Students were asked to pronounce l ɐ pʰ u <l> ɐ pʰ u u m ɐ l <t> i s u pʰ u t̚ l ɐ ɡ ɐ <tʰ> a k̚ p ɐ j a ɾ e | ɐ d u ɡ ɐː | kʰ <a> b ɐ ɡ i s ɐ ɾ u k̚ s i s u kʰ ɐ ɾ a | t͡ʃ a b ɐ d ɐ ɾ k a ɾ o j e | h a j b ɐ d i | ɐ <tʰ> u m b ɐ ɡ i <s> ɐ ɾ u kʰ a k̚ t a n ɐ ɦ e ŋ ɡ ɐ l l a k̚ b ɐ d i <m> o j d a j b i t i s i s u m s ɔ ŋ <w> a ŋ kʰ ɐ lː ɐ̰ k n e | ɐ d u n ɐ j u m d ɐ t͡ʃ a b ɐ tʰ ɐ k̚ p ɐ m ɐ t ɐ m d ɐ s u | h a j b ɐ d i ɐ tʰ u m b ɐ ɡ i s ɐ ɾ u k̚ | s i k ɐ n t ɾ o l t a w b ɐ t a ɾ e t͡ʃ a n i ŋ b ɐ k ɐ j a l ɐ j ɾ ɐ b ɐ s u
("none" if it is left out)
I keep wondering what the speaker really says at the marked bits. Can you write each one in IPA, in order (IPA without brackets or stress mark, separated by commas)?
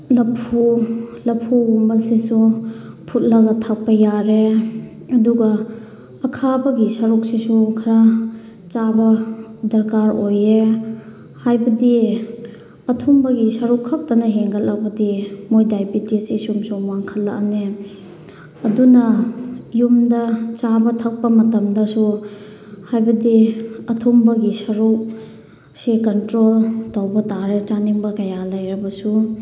l, s, tʰ, a, tʰ, s, m, w